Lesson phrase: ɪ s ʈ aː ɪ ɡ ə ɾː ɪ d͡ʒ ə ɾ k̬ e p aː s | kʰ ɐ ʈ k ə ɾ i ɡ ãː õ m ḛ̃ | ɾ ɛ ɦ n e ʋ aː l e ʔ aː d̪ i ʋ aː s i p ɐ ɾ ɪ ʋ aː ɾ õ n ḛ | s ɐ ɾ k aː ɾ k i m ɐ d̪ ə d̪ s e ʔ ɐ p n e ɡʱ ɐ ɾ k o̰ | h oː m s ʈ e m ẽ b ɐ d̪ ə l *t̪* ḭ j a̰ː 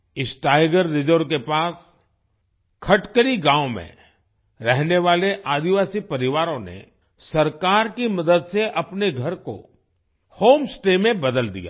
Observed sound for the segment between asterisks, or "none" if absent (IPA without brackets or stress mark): d̪